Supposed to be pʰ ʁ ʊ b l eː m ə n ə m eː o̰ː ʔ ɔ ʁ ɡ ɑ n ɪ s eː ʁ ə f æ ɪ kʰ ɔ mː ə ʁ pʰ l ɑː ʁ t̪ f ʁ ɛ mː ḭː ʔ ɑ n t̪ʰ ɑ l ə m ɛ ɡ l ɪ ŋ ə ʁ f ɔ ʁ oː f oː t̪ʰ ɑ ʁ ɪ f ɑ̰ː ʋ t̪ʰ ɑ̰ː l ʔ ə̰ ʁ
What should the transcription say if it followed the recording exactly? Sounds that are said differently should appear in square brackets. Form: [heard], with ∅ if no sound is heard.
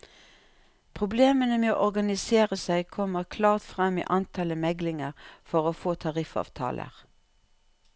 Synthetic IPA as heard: pʰ ʁ ʊ b l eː m ə n ə m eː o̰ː ʔ ɔ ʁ ɡ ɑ n ɪ s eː ʁ ə [s] æ ɪ kʰ ɔ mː ə ʁ [kʰ] l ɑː ʁ t̪ f ʁ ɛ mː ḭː ʔ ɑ n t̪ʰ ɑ l ə m ɛ ɡ l ɪ ŋ ə ʁ f ɔ ʁ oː f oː t̪ʰ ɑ ʁ ɪ f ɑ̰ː ʋ t̪ʰ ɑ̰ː l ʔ ə̰ ʁ

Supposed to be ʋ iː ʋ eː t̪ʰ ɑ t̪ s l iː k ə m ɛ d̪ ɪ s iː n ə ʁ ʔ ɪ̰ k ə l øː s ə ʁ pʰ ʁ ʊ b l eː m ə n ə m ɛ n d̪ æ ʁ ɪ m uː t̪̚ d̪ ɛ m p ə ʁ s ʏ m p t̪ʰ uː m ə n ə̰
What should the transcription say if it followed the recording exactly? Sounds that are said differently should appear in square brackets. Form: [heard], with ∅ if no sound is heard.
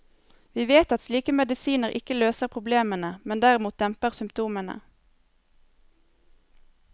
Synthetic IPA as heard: ʋ iː ʋ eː [t̪] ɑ t̪ s l iː k ə m ɛ d̪ ɪ s iː n ə ʁ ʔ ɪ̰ k ə l øː s ə ʁ pʰ ʁ ʊ b l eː m ə n ə m ɛ n d̪ æ ʁ ɪ m uː t̪̚ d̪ ɛ m p ə ʁ s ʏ m p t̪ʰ uː m ə n ə̰

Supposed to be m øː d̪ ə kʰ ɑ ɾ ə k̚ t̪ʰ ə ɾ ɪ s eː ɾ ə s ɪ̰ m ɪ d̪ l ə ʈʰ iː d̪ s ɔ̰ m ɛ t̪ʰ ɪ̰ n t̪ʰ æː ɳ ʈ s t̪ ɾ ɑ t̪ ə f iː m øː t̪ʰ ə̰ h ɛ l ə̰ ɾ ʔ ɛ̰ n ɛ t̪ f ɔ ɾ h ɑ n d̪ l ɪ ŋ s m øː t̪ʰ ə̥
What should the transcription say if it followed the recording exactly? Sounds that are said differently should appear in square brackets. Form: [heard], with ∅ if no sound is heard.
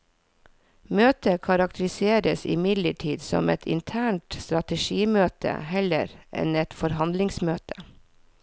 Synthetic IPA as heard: m øː [t̪] ə kʰ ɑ ɾ [ɑ] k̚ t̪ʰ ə ɾ ɪ s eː ɾ ə s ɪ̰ m ɪ d̪ l ə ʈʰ iː d̪ s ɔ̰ m ɛ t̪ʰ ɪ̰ n t̪ʰ æː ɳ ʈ s t̪ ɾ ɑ t̪ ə [ʃ] iː m øː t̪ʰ ə̰ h ɛ l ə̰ ɾ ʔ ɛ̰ n ɛ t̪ f ɔ ɾ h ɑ n d̪ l ɪ ŋ s m øː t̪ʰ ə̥

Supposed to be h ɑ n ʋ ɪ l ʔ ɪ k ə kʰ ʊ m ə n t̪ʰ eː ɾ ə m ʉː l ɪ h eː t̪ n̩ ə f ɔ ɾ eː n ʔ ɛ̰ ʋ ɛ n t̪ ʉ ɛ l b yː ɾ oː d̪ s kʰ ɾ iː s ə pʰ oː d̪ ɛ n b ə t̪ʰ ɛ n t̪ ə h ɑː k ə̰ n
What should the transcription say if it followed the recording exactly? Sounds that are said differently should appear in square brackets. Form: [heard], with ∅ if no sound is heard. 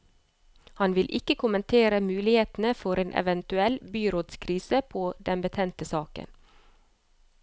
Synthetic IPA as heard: h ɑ n ʋ ɪ l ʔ ɪ k ə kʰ ʊ m ə n t̪ʰ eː ɾ ə m ʉː l ɪ h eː t̪ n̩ ə f ɔ ɾ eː n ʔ ɛ̰ ʋ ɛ n t̪ ʉ ɛ l b yː ɾ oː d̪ s kʰ ɾ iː s ə pʰ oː d̪ ɛ n b ə t̪ʰ ɛ n t̪ ə [s] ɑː k ə̰ n

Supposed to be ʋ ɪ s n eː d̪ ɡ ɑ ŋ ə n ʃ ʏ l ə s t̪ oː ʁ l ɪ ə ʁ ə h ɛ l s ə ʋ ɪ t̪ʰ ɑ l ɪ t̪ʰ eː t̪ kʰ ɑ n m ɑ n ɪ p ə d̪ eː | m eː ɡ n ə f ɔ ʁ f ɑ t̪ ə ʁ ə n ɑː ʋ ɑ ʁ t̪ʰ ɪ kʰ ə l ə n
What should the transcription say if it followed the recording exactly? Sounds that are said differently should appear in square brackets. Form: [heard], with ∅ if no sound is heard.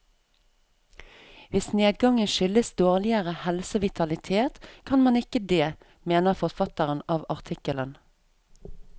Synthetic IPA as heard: ʋ ɪ s n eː d̪ ɡ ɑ ŋ ə n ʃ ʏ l ə s [d̪] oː ʁ l ɪ ə ʁ ə h ɛ l s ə ʋ ɪ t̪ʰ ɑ l ɪ t̪ʰ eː t̪ kʰ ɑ n m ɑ n ɪ [k] ə d̪ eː | m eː [∅] n ə f ɔ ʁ f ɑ t̪ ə ʁ ə n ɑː ʋ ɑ ʁ t̪ʰ ɪ [k] ə l ə n

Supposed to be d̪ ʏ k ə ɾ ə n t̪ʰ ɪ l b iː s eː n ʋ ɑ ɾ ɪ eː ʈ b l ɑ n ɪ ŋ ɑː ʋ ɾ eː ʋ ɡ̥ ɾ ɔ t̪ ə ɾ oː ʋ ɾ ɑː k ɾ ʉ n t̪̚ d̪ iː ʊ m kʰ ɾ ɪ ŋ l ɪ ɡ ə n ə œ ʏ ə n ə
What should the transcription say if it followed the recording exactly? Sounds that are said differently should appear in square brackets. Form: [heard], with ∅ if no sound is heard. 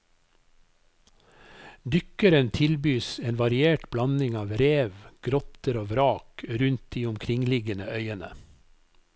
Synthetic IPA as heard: d̪ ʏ k ə ɾ ə n t̪ʰ ɪ l b [yː] s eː n ʋ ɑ ɾ ɪ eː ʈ b l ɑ n ɪ ŋ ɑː ʋ ɾ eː ʋ ɡ̥ ɾ ɔ t̪ ə ɾ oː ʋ ɾ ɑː k ɾ ʉ n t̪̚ d̪ iː ʊ m kʰ ɾ ɪ ŋ l ɪ ɡ ə n ə œ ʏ ə n ə

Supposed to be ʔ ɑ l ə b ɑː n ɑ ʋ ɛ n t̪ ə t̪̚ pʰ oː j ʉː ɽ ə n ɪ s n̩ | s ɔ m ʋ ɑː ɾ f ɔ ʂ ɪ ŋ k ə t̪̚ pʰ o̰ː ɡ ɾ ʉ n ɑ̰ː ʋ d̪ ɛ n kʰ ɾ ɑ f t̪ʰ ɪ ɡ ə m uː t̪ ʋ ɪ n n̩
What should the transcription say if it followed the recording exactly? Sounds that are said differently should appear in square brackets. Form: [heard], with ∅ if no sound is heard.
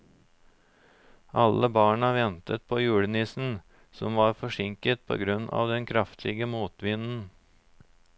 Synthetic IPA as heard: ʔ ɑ l ə b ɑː [ɳ] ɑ ʋ ɛ n t̪ ə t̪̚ pʰ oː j ʉː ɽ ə n ɪ s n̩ | s ɔ m ʋ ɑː ɾ f ɔ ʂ ɪ ŋ k ə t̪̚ pʰ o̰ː ɡ ɾ ʉ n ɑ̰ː ʋ d̪ ɛ n kʰ ɾ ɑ f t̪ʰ ɪ ɡ ə m uː t̪ ʋ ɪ n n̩

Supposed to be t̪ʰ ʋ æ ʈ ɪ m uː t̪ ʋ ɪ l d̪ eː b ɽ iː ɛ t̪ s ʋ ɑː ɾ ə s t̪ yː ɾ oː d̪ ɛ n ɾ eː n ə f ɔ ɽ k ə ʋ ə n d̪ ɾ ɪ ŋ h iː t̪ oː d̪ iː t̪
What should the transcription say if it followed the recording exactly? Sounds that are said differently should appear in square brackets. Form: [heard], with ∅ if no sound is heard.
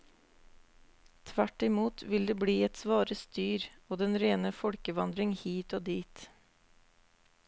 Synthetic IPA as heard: t̪ʰ ʋ æ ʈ ɪ m uː t̪ ʋ ɪ l d̪ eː b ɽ iː ɛ t̪ s ʋ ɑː ɾ ə s t̪ yː ɾ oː d̪ ɛ n ɾ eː n ə f ɔ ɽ k ə ʋ [ɑ] n d̪ ɾ ɪ ŋ h iː t̪ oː d̪ iː t̪

